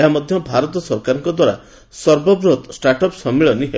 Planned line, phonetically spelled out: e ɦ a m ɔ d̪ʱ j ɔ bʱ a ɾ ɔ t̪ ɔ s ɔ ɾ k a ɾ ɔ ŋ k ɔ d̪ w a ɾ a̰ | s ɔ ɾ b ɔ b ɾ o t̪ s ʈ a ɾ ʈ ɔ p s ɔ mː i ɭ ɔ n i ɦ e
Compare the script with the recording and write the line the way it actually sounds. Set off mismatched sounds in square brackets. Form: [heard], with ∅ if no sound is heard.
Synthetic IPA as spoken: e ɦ a m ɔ d̪ʱ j ɔ bʱ a ɾ ɔ t̪ ɔ s ɔ ɾ k a ɾ ɔ ŋ k ɔ d̪ w a ɾ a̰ | s ɔ ɾ b ɔ b ɾ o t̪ s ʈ a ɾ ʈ ɔ p s ɔ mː i ɭ ɔ n i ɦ e